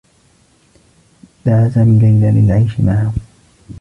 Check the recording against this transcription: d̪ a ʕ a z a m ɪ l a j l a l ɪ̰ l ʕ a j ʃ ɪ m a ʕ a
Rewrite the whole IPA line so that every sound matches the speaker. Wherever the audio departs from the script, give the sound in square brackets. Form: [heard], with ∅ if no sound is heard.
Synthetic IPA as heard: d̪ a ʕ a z a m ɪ l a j l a l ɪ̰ l ʕ a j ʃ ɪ m a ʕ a